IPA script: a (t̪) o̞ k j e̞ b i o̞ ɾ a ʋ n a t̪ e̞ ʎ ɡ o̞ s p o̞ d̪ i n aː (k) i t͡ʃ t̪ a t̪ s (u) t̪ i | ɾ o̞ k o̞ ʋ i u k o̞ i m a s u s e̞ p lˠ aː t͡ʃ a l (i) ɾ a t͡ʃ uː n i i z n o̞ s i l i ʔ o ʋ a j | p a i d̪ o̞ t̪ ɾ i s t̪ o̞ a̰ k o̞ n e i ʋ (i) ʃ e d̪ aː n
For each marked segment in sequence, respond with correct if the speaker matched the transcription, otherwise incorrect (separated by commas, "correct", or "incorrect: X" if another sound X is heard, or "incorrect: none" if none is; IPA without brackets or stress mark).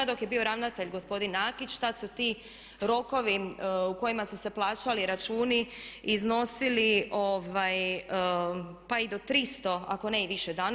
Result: incorrect: d̪, correct, correct, correct, correct